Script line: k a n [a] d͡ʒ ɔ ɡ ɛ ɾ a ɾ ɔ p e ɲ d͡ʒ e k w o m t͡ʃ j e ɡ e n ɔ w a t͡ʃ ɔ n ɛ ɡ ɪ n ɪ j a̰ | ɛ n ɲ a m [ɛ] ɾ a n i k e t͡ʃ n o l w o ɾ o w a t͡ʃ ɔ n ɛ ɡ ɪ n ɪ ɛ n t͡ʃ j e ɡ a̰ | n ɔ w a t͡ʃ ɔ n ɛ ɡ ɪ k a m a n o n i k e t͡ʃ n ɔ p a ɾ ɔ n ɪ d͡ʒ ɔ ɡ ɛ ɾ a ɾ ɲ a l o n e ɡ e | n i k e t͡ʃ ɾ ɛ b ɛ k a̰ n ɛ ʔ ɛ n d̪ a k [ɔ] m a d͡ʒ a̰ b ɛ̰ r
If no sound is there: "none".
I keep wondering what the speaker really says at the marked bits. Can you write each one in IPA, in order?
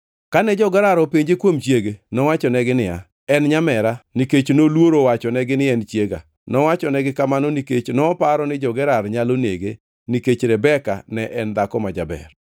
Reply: ɛ, ɛ, ɔ

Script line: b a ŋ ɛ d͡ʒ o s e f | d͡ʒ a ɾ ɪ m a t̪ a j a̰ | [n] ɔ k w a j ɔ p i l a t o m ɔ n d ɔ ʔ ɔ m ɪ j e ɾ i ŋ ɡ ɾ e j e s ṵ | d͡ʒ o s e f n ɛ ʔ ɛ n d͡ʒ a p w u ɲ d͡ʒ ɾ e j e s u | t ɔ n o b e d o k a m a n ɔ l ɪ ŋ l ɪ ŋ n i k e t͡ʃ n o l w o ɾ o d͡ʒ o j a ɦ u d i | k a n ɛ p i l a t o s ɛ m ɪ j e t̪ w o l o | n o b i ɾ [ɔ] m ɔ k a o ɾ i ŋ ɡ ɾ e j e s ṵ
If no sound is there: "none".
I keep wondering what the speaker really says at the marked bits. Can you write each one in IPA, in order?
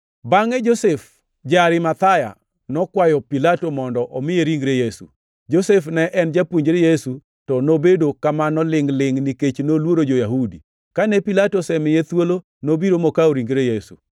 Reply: n, o

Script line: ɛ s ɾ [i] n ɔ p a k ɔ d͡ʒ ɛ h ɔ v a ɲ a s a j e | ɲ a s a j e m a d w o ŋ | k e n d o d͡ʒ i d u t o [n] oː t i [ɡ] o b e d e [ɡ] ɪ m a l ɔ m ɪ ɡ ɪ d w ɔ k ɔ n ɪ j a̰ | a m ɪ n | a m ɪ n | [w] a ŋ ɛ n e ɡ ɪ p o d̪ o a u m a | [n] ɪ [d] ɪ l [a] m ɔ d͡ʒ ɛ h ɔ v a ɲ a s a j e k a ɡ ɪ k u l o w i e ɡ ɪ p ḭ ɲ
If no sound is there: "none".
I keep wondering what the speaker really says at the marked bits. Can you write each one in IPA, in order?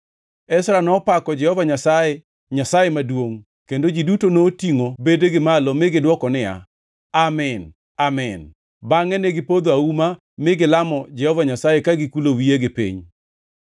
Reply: a, n, ŋ, ɡ, b, m, ɡ, a

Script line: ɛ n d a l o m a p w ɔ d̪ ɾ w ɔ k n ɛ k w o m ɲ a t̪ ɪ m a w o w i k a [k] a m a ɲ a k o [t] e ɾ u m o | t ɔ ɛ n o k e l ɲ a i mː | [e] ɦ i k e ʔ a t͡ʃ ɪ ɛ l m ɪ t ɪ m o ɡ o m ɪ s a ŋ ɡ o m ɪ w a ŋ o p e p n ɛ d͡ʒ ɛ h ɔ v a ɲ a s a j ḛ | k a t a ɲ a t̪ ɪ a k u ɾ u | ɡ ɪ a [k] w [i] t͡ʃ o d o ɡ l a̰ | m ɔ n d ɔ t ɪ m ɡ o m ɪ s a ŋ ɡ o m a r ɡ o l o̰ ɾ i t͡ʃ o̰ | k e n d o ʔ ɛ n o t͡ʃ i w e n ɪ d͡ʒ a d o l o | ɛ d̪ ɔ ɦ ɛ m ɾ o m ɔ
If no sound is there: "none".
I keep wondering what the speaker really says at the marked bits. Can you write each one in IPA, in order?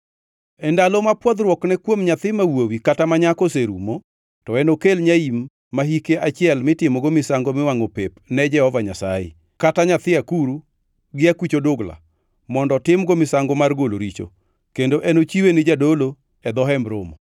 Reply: t, s, a, k, i

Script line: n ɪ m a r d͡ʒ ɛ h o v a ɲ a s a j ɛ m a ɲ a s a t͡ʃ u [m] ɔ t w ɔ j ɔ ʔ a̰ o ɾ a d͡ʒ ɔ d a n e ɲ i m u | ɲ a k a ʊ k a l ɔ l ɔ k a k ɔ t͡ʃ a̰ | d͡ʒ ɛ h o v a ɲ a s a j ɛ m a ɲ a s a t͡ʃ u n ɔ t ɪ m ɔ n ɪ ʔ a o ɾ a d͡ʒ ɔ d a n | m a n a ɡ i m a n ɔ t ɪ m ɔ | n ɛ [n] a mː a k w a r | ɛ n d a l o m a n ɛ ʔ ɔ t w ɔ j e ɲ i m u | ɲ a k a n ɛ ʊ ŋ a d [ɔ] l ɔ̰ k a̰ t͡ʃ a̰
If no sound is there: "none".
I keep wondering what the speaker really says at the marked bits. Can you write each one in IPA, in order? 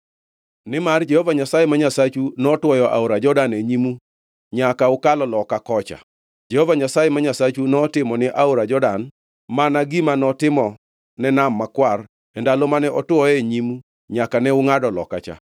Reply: n, n, ɔ

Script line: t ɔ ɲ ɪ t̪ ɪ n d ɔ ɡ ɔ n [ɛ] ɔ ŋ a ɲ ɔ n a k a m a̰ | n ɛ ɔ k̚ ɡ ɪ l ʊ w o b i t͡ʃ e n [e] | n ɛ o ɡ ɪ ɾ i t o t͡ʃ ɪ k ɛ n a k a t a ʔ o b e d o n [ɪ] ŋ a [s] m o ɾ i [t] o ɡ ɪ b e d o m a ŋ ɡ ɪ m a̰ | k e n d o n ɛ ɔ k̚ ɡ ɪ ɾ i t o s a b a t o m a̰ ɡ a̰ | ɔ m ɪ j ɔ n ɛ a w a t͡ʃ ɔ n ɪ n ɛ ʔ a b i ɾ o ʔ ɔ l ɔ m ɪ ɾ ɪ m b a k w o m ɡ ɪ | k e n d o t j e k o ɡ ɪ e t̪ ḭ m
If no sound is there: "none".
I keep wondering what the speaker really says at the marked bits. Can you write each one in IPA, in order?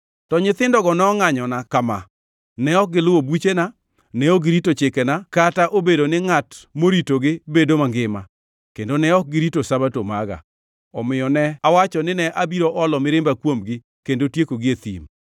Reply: ɛ, a, ɪ, t, t

